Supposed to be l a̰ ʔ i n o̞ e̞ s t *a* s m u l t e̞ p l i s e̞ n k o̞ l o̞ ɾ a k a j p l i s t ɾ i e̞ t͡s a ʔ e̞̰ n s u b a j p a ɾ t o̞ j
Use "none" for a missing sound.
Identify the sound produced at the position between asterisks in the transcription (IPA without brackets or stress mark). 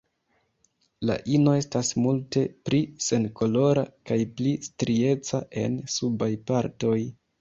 a